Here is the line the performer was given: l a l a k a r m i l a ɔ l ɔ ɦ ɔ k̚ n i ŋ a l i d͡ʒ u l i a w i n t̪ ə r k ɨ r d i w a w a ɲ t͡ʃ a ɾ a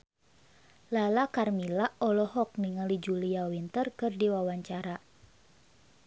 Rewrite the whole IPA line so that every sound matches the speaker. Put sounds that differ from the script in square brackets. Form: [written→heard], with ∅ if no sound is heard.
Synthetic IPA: l a l a k a r m i l a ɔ l ɔ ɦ ɔ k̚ n i ŋ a l i d͡ʒ u l i a w i n t̪ ə r k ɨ r d i w a w a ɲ t͡ʃ a ɾ a